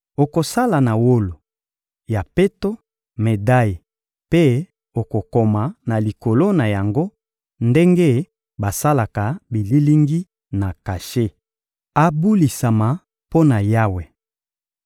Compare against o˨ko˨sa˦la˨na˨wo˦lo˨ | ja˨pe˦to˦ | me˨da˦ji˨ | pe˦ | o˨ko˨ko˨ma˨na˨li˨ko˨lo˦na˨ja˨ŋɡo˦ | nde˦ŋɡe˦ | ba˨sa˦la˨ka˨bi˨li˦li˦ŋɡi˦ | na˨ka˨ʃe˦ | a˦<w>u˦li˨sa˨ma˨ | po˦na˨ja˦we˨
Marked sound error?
yes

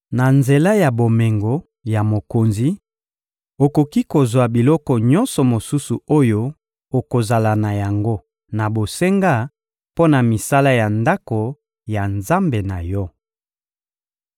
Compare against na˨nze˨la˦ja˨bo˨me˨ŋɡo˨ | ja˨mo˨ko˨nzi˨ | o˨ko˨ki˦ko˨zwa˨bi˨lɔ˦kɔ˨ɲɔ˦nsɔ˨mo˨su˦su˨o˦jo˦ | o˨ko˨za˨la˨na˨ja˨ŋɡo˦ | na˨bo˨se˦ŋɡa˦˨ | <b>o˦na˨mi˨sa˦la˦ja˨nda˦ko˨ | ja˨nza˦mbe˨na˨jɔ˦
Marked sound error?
yes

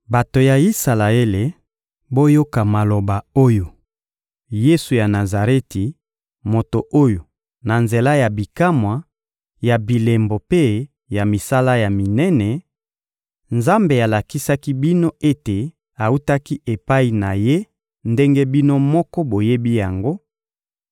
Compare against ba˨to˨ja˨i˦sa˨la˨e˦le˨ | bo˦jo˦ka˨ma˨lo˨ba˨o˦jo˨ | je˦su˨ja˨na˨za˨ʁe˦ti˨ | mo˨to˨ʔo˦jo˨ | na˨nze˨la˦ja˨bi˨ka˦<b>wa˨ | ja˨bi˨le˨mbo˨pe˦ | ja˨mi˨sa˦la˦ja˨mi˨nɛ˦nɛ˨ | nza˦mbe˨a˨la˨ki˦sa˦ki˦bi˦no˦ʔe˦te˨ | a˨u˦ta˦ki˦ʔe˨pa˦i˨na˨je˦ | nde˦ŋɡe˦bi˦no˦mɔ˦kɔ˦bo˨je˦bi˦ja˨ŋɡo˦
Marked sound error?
yes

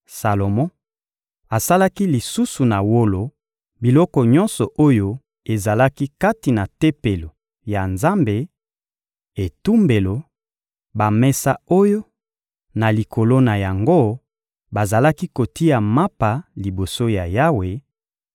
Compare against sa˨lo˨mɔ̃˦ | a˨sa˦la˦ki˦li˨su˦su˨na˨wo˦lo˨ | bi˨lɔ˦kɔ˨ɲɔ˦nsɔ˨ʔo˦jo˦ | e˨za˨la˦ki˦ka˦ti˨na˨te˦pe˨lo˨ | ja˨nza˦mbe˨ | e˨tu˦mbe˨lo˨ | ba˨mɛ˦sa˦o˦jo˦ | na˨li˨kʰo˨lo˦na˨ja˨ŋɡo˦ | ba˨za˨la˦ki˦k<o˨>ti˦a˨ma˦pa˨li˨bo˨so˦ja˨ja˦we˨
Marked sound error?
no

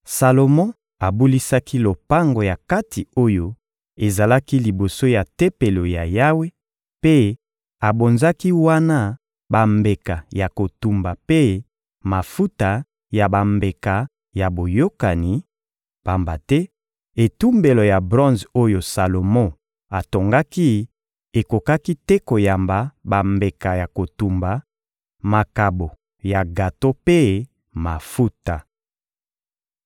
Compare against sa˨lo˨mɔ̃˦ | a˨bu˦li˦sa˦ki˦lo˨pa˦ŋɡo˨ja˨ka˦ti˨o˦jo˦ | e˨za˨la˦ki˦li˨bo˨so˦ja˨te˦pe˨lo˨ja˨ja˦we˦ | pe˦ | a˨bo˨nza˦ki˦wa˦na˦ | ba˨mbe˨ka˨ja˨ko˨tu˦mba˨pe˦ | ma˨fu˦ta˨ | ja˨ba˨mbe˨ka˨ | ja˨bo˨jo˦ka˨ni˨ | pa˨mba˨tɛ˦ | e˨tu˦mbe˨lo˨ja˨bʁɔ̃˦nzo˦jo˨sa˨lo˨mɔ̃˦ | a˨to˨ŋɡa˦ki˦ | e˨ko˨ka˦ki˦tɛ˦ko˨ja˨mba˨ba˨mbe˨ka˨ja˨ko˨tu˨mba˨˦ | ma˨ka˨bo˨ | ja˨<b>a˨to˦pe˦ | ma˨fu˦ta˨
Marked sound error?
yes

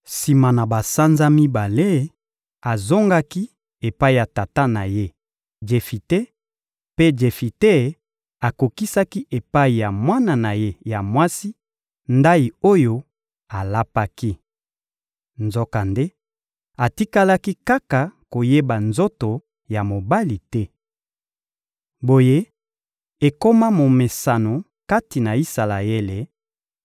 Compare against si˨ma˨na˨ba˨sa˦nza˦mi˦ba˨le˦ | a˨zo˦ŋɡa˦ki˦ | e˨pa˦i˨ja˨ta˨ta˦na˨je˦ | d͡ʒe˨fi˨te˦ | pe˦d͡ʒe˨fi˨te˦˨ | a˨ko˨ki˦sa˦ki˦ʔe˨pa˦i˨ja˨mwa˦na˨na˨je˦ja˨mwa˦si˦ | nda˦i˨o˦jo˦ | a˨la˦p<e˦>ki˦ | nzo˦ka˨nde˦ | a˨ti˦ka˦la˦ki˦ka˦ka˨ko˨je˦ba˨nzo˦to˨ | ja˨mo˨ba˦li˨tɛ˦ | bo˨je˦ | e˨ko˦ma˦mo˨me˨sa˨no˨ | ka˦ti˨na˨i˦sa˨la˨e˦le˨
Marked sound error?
yes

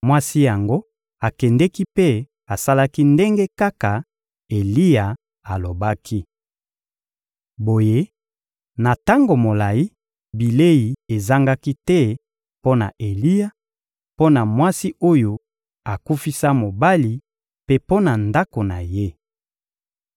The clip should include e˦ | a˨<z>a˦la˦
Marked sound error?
yes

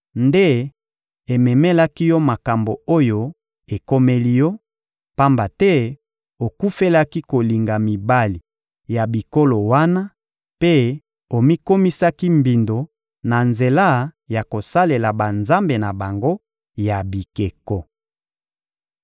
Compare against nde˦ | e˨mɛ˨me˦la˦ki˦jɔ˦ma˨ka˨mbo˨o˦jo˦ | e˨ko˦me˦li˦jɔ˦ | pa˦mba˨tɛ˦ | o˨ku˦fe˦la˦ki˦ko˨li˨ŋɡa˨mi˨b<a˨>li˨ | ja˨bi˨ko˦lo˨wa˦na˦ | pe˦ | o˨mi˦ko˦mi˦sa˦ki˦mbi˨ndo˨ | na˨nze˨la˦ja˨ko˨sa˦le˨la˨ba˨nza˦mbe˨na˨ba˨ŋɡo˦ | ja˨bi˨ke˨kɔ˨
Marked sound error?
yes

